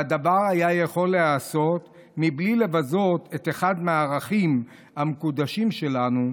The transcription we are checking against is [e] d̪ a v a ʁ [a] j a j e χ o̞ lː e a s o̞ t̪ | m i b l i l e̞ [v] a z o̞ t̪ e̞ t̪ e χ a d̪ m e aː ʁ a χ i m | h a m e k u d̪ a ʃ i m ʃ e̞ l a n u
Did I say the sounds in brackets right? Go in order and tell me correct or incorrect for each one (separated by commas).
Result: incorrect, correct, correct